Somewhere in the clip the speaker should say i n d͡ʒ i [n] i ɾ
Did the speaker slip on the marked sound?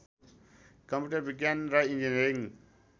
no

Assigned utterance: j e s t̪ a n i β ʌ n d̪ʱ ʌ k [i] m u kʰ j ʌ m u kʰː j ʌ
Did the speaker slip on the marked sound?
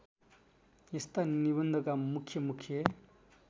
yes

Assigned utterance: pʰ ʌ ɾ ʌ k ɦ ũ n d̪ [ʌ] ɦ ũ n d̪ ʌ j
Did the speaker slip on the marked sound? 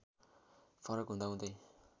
yes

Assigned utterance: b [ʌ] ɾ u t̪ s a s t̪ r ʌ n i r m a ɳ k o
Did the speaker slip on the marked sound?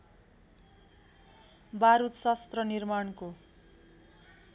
yes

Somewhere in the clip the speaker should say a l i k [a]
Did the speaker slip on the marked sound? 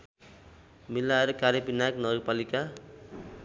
no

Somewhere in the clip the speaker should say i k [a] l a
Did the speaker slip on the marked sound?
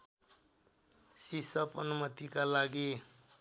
no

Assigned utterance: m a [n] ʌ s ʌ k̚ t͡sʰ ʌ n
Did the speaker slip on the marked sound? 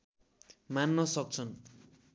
yes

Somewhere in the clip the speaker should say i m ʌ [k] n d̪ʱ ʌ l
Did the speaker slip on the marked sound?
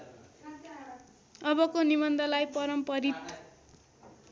yes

